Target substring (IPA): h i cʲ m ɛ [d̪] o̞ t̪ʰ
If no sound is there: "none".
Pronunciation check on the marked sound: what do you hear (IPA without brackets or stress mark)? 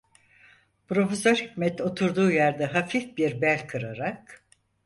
t̪